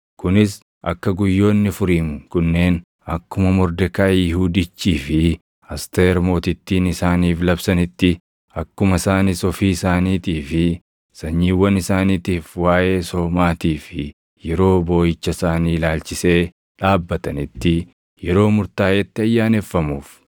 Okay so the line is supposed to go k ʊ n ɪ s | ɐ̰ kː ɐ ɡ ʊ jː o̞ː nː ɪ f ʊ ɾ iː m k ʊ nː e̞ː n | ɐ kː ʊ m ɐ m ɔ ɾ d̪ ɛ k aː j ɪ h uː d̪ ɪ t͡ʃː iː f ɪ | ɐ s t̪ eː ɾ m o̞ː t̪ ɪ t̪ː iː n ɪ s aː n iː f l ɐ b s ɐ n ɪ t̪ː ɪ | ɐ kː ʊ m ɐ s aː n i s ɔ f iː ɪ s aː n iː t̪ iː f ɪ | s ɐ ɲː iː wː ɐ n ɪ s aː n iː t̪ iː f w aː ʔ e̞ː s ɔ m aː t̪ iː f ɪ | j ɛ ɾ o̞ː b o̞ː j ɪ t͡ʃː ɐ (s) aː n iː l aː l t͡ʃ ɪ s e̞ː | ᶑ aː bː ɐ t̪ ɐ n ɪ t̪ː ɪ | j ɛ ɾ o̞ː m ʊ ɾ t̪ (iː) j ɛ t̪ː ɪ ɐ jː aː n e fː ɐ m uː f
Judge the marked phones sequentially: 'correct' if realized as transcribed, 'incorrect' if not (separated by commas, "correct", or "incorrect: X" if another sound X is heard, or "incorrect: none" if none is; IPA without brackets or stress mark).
correct, incorrect: aː